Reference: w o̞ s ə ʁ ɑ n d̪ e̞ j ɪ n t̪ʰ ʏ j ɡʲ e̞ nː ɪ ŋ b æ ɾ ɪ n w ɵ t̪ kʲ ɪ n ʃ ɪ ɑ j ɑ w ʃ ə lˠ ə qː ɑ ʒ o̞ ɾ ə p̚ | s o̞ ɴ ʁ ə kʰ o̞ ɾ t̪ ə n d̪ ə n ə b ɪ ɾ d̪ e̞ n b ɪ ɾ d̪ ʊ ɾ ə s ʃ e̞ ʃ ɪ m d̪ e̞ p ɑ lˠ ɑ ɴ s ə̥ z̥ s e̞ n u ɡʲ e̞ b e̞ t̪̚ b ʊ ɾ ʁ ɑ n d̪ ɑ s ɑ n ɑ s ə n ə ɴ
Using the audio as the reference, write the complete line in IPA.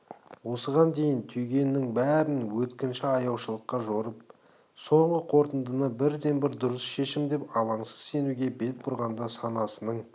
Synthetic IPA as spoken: w o̞ s ə ʁ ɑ n d̪ e̞ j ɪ n t̪ʰ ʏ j ɡʲ e̞ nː ɪ ŋ b æ ɾ ɪ n w ɵ t̪ kʲ ɪ n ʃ ɪ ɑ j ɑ w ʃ ə lˠ ə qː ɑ ʒ o̞ ɾ ə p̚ | s o̞ ɴ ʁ ə qʰ o̞ ɾ t̪ ə n d̪ ə n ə b ɪ ɾ d̪ e̞ n b ɪ ɾ d̪ ʊ ɾ ə s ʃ e̞ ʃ ɪ m d̪ e̞ p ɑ lˠ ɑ ɴ s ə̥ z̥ s e̞ n u ɡʲ e̞ b e̞ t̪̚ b ʊ ɾ ʁ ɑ n d̪ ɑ s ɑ n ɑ s ə n ə ɴ